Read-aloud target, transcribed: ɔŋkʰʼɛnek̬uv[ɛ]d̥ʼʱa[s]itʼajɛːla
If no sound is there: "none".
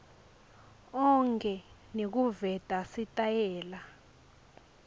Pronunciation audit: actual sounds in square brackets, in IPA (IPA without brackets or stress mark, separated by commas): ɛ, s